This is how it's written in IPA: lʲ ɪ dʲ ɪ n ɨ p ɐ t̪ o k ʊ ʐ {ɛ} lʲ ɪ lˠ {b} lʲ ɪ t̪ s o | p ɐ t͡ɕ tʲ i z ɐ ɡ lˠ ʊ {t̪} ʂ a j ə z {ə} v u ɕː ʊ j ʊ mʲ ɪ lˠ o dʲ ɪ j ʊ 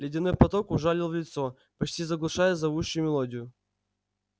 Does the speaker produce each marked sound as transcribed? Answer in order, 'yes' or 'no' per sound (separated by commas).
no, no, no, no